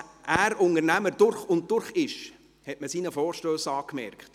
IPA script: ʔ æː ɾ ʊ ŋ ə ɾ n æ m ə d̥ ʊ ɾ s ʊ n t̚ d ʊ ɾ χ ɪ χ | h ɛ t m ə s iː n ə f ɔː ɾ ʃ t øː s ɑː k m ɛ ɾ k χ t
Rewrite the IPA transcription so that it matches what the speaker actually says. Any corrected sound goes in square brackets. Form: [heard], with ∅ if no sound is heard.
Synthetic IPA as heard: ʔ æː ɾ ʊ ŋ ə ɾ n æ m ə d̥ ʊ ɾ [χ] ʊ n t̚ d ʊ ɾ χ ɪ [ʃ] | h ɛ t m ə s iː n ə f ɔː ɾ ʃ t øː s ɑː k m ɛ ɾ k χ t